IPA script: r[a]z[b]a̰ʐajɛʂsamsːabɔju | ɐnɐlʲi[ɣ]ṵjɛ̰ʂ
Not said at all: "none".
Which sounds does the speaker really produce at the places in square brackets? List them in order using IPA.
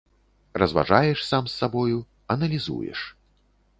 ɐ, v, z

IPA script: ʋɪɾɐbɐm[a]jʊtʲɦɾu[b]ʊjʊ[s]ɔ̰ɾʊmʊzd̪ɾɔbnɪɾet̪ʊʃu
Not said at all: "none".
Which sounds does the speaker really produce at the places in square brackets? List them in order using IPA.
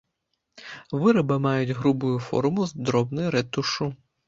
ɑ, b, f

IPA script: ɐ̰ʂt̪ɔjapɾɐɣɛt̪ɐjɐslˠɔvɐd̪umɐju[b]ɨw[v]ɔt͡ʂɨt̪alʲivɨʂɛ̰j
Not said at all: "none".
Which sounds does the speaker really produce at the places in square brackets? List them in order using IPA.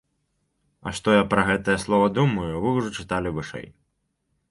v, ʐ

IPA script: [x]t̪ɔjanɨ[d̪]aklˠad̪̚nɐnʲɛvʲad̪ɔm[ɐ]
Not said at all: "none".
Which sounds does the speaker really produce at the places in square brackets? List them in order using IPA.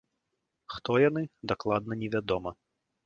x, d̪, ɐ

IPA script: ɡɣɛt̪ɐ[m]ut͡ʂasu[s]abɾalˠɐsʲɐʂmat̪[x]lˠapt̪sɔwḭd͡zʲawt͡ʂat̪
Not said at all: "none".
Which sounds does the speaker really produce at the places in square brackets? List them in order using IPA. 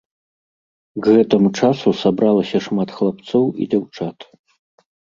m, s, x

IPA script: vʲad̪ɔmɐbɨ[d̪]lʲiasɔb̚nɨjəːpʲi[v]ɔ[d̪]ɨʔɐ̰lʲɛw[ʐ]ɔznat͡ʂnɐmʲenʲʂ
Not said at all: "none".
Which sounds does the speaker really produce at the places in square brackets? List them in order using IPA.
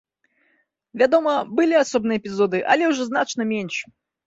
none, z, d̪, ʐ

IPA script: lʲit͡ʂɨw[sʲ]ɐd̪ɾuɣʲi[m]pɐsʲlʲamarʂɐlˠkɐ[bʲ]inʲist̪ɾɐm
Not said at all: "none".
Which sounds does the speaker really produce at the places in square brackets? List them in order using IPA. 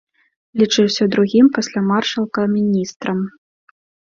sʲ, m, mʲ

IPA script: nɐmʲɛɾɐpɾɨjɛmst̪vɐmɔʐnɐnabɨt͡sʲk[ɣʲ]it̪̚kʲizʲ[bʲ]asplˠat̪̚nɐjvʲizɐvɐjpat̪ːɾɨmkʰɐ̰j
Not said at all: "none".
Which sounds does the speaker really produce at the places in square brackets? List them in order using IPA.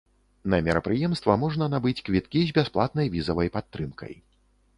vʲ, bʲ

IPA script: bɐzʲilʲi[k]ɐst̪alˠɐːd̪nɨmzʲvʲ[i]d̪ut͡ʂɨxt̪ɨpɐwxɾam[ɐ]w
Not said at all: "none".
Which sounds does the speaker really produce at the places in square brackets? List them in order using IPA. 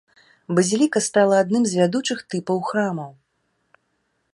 k, a, ɐ

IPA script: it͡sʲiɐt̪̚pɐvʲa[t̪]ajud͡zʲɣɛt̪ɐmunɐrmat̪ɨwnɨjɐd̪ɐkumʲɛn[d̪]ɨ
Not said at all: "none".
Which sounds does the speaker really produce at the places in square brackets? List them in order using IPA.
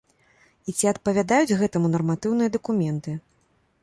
d̪, t̪

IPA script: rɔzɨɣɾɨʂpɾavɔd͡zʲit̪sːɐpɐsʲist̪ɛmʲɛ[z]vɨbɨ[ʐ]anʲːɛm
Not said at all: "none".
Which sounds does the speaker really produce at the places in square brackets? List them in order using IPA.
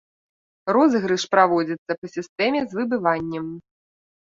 z, v

